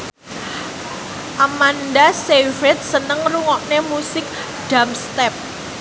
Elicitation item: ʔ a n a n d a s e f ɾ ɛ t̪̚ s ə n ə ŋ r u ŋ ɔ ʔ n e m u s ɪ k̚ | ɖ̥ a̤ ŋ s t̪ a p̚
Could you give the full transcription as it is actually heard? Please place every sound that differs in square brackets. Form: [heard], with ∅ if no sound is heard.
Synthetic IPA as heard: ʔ a [m] a n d a s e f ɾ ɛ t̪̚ s ə n ə ŋ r u ŋ ɔ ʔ n e m u s ɪ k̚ | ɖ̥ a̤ [m] s t̪ [ɛ] p̚